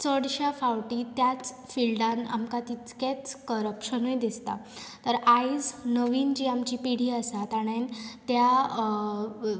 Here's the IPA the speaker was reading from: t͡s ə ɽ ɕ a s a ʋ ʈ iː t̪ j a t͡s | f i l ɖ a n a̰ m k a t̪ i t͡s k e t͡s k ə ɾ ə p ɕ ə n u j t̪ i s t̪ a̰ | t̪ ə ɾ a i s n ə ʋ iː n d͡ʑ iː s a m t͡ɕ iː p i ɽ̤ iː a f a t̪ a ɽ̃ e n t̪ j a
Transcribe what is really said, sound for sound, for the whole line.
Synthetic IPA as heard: t͡s ə ɽ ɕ a f a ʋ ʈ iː t̪ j a t͡s | f i l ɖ a n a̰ m k a t̪ i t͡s k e t͡s k ə ɾ ə p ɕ ə n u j d̪ i s t̪ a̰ | t̪ ə ɾ a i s n ə ʋ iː n d͡ʑ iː a m t͡ɕ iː p i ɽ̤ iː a s a t̪ a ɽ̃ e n t̪ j a